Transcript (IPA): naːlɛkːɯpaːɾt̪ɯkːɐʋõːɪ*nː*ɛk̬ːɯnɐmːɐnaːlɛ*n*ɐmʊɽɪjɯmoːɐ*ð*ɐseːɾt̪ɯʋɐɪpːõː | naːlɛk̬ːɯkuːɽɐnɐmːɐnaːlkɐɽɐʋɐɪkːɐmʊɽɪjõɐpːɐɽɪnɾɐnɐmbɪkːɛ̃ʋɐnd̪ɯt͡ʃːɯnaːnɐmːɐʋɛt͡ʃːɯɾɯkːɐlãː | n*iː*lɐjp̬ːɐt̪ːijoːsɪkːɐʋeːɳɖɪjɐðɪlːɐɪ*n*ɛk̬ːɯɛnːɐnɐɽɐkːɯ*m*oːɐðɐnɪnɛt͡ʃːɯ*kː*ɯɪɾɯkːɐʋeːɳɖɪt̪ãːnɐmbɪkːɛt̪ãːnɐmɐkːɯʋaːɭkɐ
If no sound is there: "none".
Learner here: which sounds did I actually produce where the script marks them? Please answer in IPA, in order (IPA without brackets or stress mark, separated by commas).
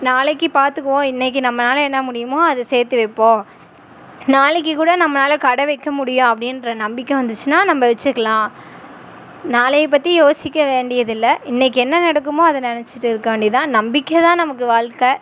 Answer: nː, nː, ð, aː, nː, m, ʈː